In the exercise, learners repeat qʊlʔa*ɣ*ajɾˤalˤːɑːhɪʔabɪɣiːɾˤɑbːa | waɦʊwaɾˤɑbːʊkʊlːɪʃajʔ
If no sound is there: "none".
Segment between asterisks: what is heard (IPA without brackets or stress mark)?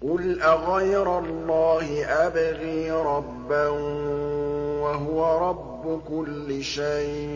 ɣ